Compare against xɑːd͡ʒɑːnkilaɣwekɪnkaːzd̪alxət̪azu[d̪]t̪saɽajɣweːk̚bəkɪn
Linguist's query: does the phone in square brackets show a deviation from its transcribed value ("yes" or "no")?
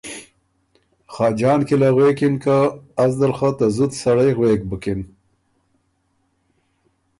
yes